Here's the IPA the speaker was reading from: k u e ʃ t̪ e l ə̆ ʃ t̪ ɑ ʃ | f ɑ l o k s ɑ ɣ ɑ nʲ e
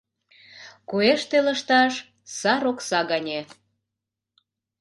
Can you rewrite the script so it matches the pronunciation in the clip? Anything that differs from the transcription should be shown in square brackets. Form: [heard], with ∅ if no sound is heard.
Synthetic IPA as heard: k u e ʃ t̪ e l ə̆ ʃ t̪ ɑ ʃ | [s] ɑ [ɾ] o k s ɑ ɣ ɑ nʲ e